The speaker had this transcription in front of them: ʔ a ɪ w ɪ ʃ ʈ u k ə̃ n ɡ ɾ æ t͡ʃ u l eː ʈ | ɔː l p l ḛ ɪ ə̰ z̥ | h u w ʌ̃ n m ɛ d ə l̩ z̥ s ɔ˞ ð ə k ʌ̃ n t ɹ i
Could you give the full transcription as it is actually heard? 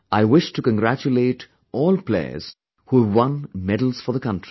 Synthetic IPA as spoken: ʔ a ɪ w ɪ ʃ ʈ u k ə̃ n ɡ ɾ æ t͡ʃ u l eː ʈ | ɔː l p l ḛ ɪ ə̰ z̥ | h u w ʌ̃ n m ɛ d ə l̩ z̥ f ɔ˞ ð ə k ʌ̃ n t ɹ i